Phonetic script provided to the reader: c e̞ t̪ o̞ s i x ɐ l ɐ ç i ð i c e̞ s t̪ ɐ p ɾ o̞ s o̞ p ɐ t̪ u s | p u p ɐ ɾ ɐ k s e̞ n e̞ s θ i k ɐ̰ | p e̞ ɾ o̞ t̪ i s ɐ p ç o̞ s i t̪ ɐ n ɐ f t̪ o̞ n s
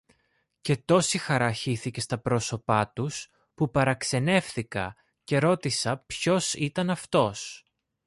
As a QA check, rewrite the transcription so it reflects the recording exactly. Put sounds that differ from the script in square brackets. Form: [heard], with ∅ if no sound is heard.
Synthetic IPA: c e̞ t̪ o̞ s i x ɐ [ɾ] ɐ ç i [θ] i c e̞ s t̪ ɐ p ɾ o̞ s o̞ p ɐ t̪ u s | p u p ɐ ɾ ɐ k s e̞ n e̞ [f] θ i k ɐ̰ | [c] e̞ ɾ o̞ t̪ i s ɐ p ç o̞ s i t̪ ɐ n ɐ f t̪ o̞ [∅] s

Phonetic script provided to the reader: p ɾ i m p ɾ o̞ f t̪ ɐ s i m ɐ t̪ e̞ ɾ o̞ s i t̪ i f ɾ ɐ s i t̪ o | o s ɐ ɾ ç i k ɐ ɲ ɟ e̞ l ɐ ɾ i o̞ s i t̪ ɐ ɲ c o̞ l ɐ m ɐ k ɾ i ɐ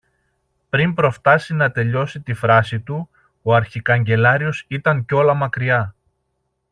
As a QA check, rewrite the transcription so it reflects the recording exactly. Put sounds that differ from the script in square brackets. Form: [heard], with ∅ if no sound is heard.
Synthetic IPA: p ɾ i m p ɾ o̞ f t̪ ɐ s i [n] ɐ t̪ e̞ [ʎ] o̞ s i t̪ i f ɾ ɐ s i t̪ [u] | o [∅] ɐ ɾ ç i k ɐ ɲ ɟ e̞ l ɐ ɾ i o̞ s i t̪ ɐ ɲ c o̞ l ɐ m ɐ k ɾ i ɐ

